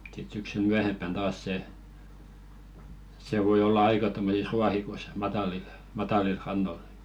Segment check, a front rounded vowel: present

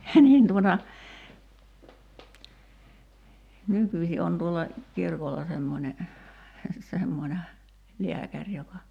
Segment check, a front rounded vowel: present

